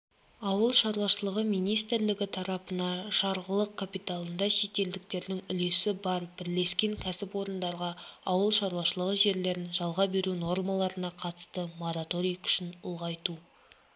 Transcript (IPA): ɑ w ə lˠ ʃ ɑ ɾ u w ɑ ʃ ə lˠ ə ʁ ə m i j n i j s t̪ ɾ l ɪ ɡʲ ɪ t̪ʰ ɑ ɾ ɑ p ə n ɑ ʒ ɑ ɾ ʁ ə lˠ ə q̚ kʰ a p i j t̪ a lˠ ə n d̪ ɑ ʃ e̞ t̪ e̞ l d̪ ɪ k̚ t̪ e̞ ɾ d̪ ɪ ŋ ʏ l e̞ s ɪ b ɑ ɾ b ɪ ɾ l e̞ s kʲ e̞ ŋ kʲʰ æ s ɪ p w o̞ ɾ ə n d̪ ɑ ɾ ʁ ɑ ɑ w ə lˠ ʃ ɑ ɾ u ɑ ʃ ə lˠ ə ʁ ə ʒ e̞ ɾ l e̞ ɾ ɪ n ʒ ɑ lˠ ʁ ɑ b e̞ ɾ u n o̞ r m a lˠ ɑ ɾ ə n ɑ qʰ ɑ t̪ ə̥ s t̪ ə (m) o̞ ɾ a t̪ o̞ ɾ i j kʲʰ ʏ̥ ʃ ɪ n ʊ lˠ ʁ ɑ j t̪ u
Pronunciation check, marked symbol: correct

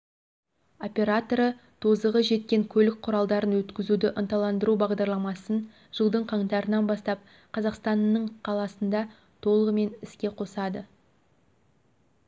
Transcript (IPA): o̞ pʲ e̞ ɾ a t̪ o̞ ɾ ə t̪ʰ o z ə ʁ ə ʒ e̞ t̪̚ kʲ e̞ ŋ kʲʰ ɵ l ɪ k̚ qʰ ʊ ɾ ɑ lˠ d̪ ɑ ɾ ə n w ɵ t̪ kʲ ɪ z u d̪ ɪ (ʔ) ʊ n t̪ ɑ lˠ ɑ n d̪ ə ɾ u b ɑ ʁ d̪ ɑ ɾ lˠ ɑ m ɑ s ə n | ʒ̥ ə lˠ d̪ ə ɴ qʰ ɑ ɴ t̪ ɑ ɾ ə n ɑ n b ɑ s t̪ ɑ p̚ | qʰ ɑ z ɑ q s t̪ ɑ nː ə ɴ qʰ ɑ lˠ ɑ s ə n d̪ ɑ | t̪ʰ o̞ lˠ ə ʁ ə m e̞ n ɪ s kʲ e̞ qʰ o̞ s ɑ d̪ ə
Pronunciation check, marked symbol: correct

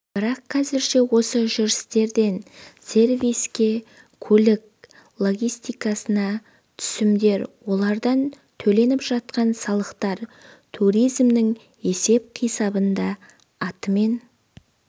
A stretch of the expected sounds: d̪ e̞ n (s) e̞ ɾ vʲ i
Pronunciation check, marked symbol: correct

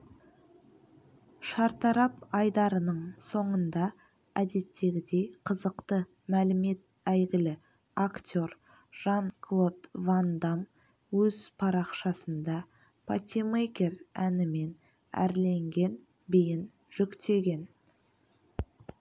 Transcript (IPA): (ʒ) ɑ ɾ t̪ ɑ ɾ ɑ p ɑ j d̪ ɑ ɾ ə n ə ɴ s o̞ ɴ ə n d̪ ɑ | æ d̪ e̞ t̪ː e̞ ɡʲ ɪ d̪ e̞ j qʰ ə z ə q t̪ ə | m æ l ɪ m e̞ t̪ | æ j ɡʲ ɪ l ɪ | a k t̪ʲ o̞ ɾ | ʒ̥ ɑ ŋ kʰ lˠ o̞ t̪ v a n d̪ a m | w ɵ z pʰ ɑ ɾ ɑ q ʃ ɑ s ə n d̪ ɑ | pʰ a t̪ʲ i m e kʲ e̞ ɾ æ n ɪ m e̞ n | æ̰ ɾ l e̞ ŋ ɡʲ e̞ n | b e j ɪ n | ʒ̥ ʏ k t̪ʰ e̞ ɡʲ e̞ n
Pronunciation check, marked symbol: incorrect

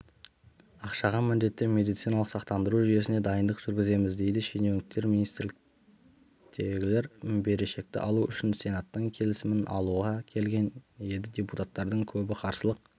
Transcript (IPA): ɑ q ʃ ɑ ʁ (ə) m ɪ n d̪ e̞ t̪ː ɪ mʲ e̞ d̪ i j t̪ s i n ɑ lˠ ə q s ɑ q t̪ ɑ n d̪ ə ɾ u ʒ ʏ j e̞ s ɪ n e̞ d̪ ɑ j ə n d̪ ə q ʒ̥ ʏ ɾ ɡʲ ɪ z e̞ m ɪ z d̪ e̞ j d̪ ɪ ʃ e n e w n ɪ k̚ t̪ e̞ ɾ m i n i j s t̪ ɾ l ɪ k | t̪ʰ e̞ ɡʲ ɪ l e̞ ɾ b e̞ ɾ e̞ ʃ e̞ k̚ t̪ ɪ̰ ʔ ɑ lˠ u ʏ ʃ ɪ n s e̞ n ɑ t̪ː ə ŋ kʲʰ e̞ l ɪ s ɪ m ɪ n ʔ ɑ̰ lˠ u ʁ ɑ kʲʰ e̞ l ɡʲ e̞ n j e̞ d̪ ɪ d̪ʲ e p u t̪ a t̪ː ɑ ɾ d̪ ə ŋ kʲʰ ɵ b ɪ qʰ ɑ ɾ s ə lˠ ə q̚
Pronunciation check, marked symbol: incorrect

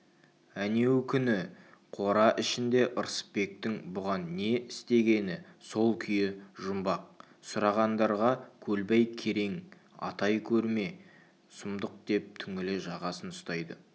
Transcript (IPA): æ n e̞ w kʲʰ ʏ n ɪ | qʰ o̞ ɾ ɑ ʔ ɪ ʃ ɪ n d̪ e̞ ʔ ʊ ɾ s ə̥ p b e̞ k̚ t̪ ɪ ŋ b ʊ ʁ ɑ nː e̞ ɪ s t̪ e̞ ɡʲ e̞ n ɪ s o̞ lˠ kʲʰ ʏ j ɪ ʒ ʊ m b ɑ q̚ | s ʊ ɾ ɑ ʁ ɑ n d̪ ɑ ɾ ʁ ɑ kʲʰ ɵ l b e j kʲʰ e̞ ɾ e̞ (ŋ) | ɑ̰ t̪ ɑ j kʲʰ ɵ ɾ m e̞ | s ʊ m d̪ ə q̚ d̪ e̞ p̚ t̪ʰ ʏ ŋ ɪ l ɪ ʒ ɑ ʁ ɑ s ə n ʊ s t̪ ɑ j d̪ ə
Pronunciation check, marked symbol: correct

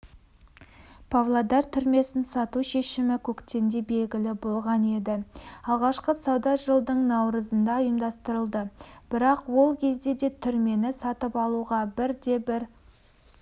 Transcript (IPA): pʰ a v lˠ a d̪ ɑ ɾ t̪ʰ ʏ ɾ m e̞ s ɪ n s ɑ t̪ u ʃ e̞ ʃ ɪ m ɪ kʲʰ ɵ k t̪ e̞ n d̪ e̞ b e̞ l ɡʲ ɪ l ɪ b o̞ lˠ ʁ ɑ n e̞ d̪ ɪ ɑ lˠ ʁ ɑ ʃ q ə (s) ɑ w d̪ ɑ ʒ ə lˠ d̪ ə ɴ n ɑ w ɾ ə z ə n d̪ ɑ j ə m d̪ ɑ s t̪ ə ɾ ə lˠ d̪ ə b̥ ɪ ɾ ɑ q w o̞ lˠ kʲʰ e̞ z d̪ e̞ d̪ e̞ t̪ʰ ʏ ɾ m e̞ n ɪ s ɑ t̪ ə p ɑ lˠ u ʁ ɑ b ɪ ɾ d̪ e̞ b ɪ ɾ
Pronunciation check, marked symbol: correct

